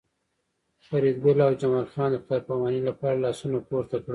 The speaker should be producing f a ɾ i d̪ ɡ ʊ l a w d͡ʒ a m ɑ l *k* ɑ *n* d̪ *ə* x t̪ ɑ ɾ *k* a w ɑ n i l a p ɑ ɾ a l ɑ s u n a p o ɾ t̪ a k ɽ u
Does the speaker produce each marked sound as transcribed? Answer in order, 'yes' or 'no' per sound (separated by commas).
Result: no, yes, yes, no